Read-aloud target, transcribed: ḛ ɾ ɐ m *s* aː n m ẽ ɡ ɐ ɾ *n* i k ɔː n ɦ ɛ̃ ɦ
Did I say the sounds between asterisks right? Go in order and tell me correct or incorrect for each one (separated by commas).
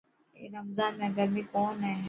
incorrect, incorrect